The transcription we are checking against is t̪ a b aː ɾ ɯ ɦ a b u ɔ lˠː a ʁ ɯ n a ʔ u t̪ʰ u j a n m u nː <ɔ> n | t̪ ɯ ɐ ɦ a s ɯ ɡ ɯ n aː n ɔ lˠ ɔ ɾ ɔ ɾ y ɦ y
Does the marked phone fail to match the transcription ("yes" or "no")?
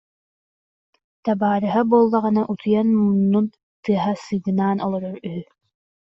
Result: yes